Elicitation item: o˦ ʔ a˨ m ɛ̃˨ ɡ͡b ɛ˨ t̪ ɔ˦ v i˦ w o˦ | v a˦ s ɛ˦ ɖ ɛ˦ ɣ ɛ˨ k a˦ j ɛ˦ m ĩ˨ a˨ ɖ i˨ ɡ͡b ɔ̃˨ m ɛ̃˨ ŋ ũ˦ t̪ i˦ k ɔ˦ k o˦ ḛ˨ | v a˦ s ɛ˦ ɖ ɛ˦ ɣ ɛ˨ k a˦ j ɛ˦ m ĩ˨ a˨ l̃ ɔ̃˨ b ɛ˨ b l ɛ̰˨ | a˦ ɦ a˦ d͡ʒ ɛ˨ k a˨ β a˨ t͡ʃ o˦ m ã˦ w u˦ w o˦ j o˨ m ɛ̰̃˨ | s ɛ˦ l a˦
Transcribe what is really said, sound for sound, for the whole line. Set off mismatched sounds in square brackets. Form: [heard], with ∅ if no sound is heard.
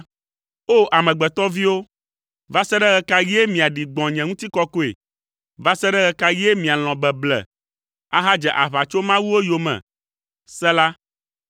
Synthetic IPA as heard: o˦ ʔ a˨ m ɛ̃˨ ɡ͡b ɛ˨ t̪ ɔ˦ v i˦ w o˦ | v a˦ s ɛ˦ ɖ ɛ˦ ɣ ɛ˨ k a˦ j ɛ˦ m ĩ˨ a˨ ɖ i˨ ɡ͡b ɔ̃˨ [ɲ] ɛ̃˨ ŋ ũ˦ t̪ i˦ k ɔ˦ k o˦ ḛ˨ | v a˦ s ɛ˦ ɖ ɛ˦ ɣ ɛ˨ k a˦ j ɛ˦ m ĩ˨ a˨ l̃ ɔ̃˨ b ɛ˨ b l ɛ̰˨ | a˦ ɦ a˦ d͡ʒ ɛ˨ [ʔ] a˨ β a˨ t͡ʃ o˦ m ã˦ w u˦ w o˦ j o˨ m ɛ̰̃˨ | s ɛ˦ l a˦